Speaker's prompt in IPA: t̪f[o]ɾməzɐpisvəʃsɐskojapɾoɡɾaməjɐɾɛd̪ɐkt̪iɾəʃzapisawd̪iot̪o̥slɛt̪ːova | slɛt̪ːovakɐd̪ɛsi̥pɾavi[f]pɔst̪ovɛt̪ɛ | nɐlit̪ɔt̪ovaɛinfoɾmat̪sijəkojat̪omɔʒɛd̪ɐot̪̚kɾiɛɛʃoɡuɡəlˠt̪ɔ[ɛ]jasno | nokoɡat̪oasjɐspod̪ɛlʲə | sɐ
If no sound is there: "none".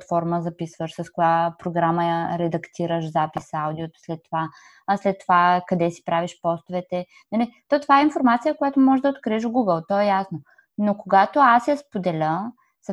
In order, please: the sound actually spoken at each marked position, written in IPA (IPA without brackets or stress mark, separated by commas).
ɔ, ʃ, ɛ